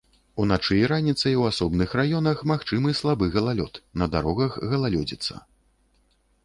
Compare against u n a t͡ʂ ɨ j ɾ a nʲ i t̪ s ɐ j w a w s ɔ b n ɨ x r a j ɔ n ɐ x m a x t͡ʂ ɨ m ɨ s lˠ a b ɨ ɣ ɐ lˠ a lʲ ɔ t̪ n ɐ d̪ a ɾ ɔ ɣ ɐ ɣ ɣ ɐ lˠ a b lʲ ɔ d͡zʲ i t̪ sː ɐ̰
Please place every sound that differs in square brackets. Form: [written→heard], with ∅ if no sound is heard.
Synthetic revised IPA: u n a t͡ʂ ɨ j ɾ a nʲ i t̪ s ɐ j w a [w→∅] s ɔ b n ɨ x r a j ɔ n ɐ x m a x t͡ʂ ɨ m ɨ s lˠ a b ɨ ɣ ɐ lˠ a lʲ ɔ t̪ n ɐ d̪ a ɾ ɔ ɣ ɐ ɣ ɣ ɐ lˠ a [b→∅] lʲ ɔ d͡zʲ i t̪ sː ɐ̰